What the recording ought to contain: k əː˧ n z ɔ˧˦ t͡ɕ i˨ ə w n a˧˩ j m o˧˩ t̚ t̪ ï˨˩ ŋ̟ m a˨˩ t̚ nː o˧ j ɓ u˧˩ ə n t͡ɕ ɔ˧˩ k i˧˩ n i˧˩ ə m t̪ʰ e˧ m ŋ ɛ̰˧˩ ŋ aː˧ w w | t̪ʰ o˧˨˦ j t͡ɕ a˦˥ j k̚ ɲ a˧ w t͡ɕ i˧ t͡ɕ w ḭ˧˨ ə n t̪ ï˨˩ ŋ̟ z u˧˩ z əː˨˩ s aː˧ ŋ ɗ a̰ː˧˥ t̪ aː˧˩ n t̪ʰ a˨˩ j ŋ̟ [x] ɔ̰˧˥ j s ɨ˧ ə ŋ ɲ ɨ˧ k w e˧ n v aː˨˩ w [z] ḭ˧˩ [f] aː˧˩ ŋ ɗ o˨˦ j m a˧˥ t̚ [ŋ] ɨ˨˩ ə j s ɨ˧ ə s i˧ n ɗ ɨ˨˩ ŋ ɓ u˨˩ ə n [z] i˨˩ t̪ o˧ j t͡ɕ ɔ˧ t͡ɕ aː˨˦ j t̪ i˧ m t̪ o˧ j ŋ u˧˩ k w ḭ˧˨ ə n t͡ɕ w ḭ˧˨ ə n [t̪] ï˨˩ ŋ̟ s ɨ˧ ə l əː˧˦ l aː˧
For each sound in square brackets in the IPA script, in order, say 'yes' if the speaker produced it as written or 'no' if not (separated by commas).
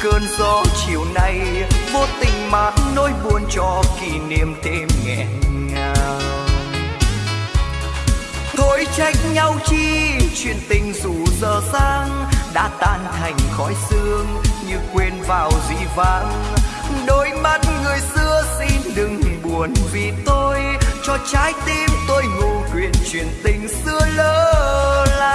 yes, yes, no, yes, no, yes